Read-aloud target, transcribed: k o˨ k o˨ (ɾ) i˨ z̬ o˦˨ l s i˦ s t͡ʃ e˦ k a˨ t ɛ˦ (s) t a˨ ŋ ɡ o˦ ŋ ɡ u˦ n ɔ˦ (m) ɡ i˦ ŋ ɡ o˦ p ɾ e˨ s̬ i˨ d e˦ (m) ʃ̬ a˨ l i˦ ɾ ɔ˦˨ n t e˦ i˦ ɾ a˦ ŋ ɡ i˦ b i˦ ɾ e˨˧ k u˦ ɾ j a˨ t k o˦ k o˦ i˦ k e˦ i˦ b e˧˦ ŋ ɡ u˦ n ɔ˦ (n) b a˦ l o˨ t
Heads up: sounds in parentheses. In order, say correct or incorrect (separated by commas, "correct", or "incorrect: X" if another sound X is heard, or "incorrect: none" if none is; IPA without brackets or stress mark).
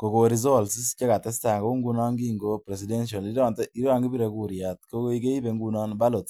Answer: correct, correct, incorrect: ŋ, incorrect: n, correct